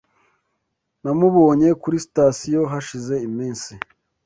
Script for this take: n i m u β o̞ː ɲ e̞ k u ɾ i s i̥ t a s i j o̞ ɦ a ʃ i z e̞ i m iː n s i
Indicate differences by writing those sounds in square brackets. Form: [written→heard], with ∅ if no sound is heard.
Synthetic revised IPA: n [i→a] m u β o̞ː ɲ e̞ k u ɾ i s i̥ t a s i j o̞ ɦ a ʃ i z e̞ i m iː n s i